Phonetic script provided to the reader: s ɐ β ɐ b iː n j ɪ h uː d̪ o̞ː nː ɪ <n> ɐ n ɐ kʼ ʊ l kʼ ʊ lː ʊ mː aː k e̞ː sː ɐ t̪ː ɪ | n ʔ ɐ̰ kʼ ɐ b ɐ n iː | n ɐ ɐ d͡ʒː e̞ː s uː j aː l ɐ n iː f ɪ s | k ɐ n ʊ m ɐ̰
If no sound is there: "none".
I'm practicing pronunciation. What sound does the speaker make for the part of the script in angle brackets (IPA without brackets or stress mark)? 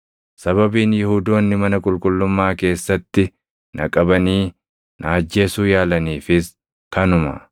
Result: m